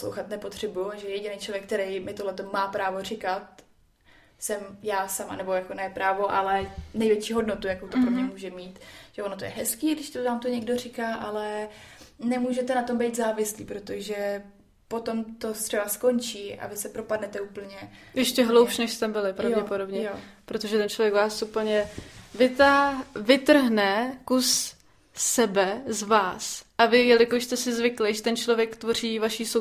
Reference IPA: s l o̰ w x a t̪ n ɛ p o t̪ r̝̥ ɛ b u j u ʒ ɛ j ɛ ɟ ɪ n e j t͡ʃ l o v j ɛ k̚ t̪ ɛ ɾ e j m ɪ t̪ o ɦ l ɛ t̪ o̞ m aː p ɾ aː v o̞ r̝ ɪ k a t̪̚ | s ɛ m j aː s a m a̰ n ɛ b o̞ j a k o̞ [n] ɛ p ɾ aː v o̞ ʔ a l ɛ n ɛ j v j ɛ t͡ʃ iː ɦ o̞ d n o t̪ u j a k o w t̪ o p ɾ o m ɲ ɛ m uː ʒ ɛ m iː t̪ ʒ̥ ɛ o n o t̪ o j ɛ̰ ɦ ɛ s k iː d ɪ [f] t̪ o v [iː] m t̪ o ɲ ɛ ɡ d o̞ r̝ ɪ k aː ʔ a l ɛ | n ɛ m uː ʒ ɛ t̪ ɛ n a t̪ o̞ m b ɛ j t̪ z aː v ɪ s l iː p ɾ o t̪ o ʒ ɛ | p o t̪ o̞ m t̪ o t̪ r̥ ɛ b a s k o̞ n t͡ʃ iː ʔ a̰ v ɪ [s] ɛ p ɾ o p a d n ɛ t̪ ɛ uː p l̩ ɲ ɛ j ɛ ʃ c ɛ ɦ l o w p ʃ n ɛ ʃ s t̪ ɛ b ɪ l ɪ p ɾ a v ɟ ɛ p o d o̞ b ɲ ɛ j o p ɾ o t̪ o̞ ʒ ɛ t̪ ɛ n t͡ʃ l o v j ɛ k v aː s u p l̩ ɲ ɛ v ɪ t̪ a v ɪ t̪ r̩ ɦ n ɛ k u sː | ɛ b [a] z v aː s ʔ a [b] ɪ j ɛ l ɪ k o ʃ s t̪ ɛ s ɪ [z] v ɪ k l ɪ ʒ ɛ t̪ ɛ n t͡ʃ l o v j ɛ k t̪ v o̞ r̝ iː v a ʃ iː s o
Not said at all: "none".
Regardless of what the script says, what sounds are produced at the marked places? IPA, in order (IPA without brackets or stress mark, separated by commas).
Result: n, ʃ, aː, s, ɛ, v, z